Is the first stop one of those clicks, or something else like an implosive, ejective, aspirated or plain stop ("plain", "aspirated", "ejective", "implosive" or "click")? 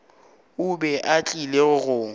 plain